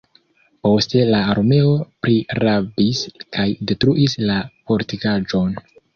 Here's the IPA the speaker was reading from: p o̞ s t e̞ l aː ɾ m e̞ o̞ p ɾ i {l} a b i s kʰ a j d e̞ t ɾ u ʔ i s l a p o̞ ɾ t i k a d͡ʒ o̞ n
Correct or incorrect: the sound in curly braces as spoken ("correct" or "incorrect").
incorrect